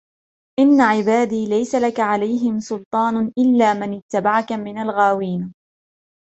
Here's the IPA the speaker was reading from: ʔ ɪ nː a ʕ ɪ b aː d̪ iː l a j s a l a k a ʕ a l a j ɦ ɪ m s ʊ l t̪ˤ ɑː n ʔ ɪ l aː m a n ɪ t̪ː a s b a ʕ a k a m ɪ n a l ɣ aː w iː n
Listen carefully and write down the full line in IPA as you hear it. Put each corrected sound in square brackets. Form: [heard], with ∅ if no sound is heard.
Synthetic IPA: ʔ ɪ nː a ʕ ɪ b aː d̪ iː l a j s a l a k a ʕ a l a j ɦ ɪ m s ʊ l t̪ˤ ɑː n ʔ ɪ [lː] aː m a n ɪ t̪ː a [∅] b a ʕ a k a m ɪ n a l ɣ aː w iː n